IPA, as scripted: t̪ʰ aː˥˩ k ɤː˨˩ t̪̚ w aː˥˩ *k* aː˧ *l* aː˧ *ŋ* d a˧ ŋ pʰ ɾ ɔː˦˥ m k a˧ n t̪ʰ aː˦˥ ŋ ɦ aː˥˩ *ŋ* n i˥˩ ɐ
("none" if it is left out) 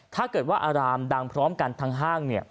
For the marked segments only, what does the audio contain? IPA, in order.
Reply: ʔ, ɾ, m, ŋ

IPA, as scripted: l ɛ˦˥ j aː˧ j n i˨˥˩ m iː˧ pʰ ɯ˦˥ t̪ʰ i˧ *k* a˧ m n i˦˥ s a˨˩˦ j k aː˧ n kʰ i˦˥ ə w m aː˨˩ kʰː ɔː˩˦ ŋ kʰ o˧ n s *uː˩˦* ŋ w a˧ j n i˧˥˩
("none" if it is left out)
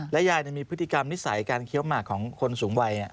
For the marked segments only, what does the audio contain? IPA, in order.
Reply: k, uː˩˦

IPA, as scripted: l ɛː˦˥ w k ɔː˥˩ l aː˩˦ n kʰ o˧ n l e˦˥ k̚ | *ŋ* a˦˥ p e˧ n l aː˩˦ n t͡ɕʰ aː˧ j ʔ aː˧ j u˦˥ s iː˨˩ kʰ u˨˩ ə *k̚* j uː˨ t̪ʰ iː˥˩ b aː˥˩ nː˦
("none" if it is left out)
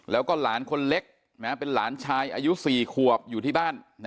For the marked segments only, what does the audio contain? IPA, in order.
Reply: n, p̚

